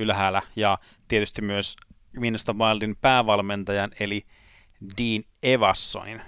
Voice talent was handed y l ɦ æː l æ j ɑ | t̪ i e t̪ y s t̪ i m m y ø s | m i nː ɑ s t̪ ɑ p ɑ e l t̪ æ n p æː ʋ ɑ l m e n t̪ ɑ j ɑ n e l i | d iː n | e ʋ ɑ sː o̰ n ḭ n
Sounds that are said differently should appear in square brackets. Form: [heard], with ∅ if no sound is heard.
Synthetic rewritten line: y l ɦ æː l æ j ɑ | t̪ i e t̪ y s t̪ i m m y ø s | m i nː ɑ s t̪ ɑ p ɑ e l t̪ [i] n p æː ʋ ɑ l m e n t̪ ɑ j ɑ n e l i | d iː n | e ʋ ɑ sː o̰ n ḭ n